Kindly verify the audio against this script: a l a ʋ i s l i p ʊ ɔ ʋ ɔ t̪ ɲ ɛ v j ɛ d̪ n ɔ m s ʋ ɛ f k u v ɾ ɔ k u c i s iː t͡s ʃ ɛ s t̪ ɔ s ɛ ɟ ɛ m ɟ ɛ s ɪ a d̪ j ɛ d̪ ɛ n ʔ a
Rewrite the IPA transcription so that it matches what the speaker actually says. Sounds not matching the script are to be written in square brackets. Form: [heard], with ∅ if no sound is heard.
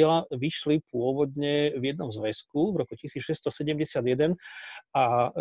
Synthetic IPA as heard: [ɛ] l a ʋ i [ʃ] l i p ʊ ɔ ʋ ɔ [d̪] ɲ ɛ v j ɛ d̪ n ɔ m [z] ʋ ɛ [s] k u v ɾ ɔ k u c i s iː t͡s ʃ ɛ s t̪ ɔ s ɛ ɟ ɛ m ɟ ɛ s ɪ a d̪ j ɛ d̪ ɛ n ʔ a